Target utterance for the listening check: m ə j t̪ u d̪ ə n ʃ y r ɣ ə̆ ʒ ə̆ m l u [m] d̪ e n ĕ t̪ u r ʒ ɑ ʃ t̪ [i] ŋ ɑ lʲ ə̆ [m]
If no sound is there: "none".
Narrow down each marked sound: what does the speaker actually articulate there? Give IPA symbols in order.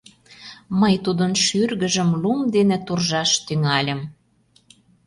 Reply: m, y, m

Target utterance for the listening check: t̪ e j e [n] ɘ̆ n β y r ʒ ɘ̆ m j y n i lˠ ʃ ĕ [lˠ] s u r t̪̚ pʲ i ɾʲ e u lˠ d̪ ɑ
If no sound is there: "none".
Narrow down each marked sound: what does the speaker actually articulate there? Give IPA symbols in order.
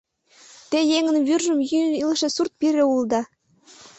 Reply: ŋ, none

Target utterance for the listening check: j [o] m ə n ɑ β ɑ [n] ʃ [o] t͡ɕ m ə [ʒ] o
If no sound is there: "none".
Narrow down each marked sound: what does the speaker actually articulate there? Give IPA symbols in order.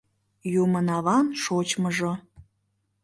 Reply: u, n, o, ʒ

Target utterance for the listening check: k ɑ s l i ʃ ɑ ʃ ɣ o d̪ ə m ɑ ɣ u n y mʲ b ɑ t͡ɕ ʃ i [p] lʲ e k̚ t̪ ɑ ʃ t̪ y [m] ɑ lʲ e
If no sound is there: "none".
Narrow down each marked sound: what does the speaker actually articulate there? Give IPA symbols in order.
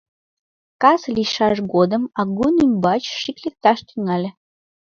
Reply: k, ŋ

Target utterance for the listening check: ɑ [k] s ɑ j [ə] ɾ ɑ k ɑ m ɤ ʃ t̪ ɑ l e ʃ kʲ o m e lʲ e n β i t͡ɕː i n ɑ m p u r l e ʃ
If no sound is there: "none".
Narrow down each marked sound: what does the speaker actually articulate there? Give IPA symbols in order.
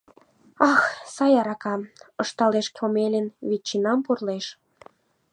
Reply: x, ɑ

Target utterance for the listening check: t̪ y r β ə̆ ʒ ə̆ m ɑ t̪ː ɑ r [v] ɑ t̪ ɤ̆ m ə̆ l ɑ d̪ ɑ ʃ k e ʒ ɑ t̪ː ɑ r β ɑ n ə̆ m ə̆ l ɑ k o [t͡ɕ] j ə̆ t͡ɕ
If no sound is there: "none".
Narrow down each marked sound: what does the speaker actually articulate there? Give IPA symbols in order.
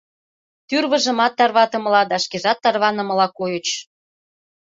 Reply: β, none

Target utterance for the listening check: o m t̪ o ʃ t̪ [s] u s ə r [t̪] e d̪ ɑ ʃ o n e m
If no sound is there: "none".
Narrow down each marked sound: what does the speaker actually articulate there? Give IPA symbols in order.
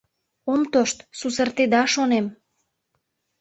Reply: s, t̪

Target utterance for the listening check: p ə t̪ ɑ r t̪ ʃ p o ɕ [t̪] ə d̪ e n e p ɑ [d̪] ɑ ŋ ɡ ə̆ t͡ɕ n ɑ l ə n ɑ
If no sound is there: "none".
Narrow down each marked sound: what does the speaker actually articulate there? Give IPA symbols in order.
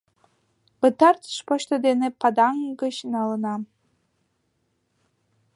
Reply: t̪, d̪

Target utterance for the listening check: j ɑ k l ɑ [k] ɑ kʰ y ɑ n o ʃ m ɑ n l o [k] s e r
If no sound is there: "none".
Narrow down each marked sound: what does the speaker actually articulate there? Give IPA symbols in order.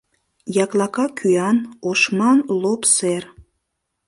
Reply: k, p

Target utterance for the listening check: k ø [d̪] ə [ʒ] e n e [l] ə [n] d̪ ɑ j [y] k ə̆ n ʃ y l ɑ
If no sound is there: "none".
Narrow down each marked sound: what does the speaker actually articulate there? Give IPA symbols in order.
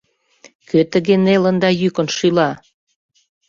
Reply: t̪, ɣ, l, n, y

